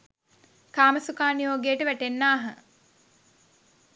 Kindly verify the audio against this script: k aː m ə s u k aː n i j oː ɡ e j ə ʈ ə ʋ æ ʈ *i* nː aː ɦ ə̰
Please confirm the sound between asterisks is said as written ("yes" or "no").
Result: no